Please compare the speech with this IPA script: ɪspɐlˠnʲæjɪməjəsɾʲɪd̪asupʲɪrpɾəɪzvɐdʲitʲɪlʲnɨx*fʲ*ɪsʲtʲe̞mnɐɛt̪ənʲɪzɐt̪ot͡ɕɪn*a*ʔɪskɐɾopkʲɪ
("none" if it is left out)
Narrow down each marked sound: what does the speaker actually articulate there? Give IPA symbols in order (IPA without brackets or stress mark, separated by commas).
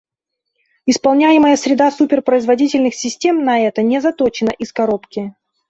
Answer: sʲ, ə